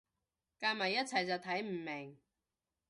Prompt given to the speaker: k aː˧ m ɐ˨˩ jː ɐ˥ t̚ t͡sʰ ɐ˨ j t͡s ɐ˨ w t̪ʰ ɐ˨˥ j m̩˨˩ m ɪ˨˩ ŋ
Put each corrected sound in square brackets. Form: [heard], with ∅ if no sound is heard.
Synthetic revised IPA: k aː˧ m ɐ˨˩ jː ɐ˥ t̚ t͡sʰ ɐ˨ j t͡s ɐ˨ w t̪ʰ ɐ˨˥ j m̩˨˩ m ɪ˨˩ ŋ